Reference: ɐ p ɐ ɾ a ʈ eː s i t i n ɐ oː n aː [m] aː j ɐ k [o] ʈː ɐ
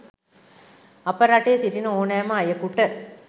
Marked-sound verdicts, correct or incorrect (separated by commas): correct, incorrect